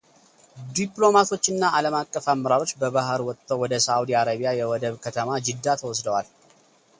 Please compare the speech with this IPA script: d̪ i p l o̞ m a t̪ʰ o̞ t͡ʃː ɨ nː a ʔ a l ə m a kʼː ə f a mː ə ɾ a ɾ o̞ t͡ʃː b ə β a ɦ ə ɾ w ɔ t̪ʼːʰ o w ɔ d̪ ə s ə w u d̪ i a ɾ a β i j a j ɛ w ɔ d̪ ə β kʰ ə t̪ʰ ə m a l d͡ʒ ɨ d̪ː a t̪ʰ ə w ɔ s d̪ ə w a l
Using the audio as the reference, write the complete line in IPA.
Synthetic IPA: d̪ i p l o̞ m a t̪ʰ o̞ t͡ʃː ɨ nː a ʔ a l ə m a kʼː ə f a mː ə ɾ a ɾ o̞ t͡ʃː b ə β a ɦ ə ɾ w ɔ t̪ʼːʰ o w ɔ d̪ ə s a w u d̪ i a ɾ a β i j a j ɛ w ɔ d̪ ə β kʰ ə t̪ʰ ə m a d͡ʒ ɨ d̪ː a t̪ʰ ə w ɔ s d̪ ə w a l